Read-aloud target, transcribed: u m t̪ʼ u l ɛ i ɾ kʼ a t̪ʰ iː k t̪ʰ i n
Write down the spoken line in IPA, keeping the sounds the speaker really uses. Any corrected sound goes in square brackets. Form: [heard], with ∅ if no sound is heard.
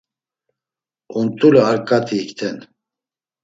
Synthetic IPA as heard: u [n] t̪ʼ u l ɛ [a] ɾ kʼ a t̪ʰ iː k t̪ʰ [ɛ] n